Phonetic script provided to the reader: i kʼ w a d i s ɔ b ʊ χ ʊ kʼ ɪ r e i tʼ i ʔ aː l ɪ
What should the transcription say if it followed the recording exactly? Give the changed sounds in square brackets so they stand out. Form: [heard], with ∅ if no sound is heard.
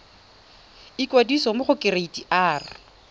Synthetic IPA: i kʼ w a d i s ɔ [m] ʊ χ ʊ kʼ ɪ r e i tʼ i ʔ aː [r] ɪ